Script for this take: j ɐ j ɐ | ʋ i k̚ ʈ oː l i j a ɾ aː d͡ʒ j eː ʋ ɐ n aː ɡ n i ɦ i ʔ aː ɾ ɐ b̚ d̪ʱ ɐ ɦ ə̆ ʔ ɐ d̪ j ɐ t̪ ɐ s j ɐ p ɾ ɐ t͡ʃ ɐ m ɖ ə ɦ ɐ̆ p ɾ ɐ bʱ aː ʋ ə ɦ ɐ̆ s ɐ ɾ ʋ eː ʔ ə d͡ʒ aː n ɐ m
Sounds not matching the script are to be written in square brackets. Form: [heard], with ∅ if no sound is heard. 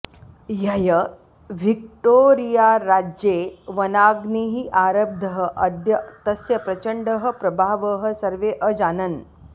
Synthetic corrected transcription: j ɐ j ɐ | ʋ i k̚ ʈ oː [ɾ] i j a ɾ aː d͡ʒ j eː ʋ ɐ n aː ɡ n i ɦ i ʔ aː ɾ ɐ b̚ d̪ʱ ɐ ɦ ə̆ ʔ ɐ d̪ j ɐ t̪ ɐ s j ɐ p ɾ ɐ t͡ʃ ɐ [ɳ] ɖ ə ɦ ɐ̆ p ɾ ɐ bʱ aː ʋ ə ɦ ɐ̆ s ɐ ɾ ʋ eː ʔ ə d͡ʒ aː n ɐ [n]